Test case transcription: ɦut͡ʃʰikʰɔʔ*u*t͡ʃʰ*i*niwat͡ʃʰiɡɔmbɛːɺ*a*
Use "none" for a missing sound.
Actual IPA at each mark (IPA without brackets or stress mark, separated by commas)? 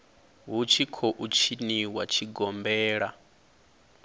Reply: u, i, a